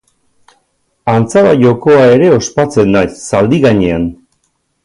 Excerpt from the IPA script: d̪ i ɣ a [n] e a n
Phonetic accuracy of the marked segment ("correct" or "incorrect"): incorrect